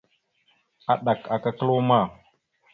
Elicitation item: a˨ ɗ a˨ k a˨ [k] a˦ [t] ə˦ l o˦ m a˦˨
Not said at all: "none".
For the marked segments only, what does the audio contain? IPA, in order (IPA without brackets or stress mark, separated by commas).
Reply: k, k